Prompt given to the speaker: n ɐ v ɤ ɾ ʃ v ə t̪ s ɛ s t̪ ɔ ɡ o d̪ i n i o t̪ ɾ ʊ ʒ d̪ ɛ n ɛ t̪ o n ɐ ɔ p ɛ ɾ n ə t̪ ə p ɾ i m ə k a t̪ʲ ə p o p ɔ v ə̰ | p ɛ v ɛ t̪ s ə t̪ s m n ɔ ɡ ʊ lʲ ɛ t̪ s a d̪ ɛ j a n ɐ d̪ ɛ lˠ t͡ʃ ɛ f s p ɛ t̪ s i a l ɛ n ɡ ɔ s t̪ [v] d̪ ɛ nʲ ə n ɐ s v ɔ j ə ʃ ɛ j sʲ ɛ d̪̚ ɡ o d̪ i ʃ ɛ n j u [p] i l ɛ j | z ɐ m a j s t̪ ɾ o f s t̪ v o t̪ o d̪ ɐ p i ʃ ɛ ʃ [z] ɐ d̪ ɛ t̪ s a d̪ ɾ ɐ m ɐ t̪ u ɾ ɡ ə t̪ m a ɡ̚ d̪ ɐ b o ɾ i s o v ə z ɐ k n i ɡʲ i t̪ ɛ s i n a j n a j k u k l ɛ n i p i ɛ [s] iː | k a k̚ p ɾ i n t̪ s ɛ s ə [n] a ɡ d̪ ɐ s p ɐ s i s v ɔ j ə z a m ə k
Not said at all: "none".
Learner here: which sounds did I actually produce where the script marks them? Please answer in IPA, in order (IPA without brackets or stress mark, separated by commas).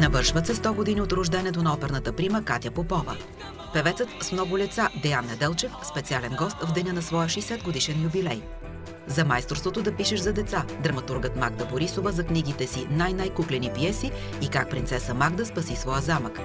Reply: v, b, z, s, m